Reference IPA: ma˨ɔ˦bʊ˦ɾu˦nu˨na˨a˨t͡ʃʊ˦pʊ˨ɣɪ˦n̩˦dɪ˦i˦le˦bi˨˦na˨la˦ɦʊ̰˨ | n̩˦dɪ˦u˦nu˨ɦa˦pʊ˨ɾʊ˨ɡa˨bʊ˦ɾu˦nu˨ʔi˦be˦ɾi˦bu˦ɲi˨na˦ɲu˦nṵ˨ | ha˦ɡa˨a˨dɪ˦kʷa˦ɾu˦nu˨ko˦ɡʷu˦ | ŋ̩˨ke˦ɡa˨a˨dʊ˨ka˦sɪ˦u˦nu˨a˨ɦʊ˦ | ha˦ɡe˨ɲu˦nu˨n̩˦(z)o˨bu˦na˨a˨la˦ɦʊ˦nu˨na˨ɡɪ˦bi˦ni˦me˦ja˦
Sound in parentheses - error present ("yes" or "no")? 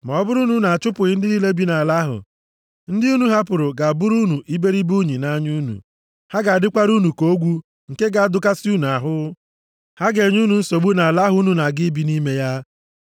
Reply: yes